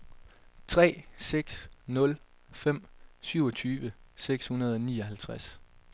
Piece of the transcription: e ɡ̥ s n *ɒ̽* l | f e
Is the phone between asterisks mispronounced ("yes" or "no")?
yes